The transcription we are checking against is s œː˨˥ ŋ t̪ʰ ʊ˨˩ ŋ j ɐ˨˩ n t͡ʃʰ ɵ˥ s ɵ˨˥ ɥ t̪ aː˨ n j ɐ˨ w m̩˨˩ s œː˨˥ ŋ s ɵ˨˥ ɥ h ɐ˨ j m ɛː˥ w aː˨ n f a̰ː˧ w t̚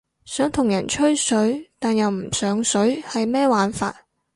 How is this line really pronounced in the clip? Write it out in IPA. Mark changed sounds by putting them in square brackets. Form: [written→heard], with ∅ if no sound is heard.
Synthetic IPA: s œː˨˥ ŋ t̪ʰ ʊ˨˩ ŋ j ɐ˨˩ n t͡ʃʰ ɵ˥ s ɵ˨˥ ɥ t̪ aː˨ n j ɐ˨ w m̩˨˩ s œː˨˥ ŋ s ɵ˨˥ ɥ h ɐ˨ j m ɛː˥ w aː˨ n f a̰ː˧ [w→∅] t̚